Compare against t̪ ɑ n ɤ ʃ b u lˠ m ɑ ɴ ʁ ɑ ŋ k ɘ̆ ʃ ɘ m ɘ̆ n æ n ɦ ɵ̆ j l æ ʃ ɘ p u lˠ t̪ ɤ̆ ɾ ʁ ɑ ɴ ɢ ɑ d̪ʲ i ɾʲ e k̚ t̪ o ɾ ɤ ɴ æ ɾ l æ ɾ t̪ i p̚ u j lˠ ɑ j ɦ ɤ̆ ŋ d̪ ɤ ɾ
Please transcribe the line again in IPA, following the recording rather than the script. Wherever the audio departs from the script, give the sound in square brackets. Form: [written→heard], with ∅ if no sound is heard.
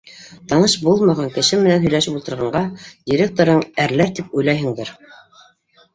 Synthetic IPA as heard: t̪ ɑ n ɤ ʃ b u lˠ m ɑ [ɴ→∅] ʁ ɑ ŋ k ɘ̆ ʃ ɘ m ɘ̆ n æ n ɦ ɵ̆ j l æ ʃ ɘ p u lˠ t̪ ɤ̆ ɾ ʁ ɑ ɴ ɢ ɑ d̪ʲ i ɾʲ e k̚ t̪ o ɾ ɤ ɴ æ ɾ l æ ɾ t̪ i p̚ u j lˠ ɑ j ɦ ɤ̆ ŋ d̪ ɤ ɾ